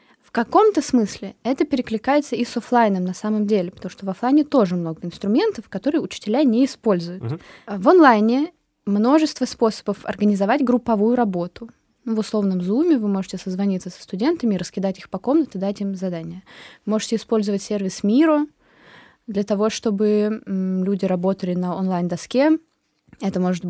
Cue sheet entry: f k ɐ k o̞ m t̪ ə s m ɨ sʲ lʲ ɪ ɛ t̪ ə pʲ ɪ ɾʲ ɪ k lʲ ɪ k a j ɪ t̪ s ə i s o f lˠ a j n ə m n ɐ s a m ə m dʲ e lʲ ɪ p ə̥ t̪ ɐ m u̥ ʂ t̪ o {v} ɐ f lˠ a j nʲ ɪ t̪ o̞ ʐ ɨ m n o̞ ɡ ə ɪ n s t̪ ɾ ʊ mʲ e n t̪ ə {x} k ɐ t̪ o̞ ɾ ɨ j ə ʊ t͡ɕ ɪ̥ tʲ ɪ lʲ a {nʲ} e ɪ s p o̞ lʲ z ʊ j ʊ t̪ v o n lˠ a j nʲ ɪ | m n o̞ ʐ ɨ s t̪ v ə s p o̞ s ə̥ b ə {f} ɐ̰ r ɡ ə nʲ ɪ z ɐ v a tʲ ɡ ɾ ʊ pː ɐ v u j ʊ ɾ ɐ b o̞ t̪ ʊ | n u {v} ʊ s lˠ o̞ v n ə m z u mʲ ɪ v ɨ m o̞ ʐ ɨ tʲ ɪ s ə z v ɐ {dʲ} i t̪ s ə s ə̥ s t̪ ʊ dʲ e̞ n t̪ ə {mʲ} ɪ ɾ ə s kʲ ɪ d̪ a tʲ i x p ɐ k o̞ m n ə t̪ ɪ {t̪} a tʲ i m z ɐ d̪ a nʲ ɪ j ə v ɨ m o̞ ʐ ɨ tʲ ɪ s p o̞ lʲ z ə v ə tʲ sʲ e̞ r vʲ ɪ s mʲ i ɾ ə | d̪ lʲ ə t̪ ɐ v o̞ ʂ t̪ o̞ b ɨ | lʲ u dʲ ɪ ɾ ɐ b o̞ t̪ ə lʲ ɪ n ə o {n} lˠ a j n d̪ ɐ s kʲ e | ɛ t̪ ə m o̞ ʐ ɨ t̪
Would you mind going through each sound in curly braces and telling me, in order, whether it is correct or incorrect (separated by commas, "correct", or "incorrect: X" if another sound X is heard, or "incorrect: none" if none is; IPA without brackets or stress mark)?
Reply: correct, incorrect: f, correct, correct, correct, incorrect: nʲ, correct, incorrect: d̪, correct